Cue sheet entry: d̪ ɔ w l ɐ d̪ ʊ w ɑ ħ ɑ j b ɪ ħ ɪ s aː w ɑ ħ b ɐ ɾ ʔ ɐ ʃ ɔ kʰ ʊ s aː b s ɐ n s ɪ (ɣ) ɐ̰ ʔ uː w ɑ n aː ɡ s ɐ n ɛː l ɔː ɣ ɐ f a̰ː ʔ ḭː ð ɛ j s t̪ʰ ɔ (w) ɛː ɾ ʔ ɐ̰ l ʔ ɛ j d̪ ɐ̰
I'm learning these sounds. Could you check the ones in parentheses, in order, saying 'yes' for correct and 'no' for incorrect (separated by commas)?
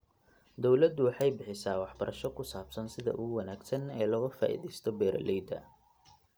no, no